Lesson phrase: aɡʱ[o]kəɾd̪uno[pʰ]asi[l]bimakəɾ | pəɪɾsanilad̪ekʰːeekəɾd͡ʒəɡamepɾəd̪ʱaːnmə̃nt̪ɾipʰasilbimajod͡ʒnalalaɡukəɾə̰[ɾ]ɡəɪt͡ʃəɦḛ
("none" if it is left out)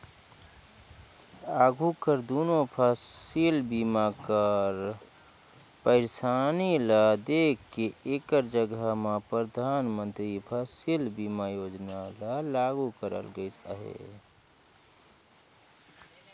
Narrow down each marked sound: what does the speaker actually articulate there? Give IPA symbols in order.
u, pʰ, l, l

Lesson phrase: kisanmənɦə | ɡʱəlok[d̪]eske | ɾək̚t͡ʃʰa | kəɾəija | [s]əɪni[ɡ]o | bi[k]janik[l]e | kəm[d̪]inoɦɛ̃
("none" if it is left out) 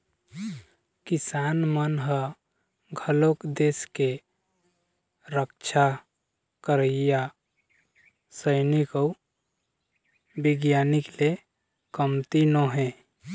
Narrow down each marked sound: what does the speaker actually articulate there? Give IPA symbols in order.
d̪, s, k, ɡ, l, t̪

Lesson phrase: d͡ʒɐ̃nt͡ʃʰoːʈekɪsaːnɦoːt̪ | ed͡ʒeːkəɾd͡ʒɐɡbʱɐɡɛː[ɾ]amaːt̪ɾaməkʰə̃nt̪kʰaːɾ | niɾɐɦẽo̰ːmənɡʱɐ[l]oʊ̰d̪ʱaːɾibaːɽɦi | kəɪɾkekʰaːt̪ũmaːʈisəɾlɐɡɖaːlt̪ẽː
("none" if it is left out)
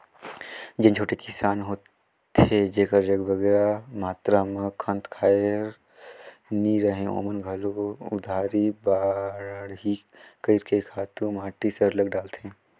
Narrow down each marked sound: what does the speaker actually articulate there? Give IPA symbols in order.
ɾ, l

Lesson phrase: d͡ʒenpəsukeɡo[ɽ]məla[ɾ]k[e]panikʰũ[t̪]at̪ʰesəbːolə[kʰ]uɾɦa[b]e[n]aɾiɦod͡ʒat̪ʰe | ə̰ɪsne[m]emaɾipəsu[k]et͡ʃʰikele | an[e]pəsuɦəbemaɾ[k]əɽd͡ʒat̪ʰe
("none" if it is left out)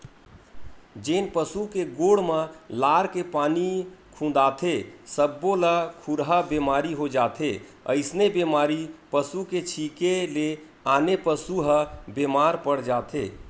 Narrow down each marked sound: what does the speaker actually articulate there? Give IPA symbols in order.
ɽ, ɾ, e, d̪, kʰ, b, m, b, k, e, p

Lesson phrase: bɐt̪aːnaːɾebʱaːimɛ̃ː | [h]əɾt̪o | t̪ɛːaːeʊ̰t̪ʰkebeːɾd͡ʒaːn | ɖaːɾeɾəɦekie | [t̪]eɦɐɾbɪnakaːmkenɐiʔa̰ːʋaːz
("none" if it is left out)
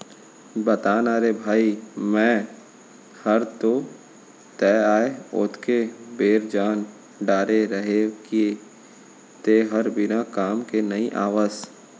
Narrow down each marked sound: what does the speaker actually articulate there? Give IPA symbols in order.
h, t̪

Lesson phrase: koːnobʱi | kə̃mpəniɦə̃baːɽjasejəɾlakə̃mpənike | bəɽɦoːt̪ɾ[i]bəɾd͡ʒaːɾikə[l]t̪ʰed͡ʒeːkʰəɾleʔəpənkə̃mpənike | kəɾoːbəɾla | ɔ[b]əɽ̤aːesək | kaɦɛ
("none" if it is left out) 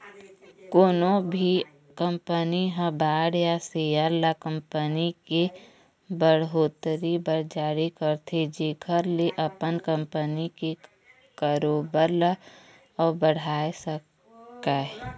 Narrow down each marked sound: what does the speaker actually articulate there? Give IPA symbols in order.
i, ɾ, b

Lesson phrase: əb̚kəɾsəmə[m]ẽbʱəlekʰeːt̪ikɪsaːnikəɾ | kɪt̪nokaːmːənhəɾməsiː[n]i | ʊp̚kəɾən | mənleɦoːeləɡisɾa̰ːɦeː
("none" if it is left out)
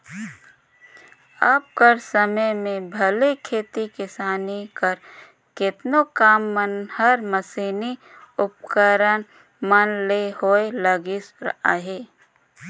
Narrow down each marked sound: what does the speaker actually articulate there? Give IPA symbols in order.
m, n

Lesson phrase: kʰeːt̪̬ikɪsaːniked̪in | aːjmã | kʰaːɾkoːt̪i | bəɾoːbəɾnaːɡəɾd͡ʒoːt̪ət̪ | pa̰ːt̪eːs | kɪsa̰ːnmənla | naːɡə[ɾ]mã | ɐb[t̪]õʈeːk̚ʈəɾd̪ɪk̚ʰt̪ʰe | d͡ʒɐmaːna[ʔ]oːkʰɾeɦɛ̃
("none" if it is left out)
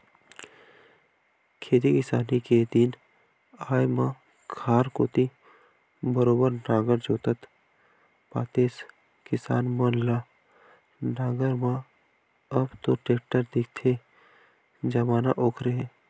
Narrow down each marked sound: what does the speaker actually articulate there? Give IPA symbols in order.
ɾ, t̪, ʔ

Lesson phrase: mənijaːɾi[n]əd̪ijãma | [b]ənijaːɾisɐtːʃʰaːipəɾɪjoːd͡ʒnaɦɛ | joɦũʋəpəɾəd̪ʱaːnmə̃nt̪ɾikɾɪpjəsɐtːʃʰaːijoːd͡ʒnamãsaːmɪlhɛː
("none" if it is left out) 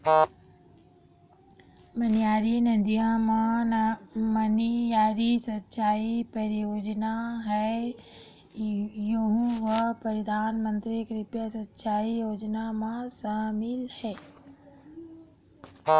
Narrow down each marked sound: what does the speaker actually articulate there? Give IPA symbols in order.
n, m

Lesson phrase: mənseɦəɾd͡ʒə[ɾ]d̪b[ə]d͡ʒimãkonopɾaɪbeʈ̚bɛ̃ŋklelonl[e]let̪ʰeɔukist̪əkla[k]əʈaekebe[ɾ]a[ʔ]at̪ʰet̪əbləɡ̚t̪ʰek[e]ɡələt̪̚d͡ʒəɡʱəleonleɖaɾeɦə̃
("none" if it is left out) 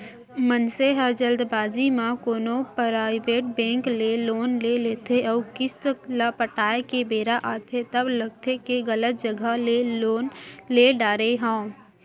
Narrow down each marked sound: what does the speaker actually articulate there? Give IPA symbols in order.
l, a, e, p, ɾ, ʔ, e

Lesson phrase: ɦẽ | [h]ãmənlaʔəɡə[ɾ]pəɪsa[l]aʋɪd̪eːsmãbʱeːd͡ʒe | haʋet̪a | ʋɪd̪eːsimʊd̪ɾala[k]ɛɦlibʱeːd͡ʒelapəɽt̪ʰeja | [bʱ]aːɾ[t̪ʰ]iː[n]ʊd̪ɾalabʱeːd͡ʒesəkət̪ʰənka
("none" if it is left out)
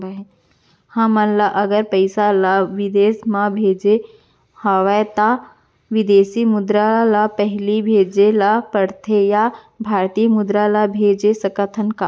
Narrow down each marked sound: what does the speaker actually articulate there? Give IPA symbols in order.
h, ɾ, l, p, bʱ, t̪, m

